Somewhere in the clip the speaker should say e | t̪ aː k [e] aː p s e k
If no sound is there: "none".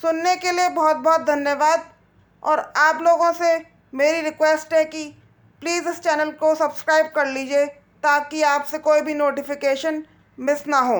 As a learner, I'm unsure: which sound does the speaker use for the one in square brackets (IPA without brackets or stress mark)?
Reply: i